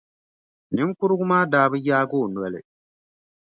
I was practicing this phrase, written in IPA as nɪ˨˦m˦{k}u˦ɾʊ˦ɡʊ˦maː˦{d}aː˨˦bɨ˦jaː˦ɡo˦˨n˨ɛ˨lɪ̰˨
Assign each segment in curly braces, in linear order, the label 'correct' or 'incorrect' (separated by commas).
correct, correct